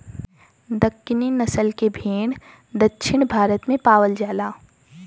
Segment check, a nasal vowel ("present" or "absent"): present